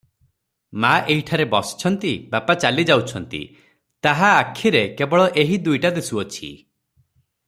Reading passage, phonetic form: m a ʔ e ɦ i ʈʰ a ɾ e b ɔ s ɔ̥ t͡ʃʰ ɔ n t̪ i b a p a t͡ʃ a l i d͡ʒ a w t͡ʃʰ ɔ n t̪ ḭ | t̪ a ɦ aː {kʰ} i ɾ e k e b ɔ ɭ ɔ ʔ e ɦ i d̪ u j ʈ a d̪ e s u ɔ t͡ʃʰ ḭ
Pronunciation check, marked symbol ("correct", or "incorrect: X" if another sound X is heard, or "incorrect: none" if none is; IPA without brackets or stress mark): correct